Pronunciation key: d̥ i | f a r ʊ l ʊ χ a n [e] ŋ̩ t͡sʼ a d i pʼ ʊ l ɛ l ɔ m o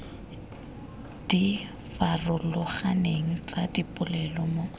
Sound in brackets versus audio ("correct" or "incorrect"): correct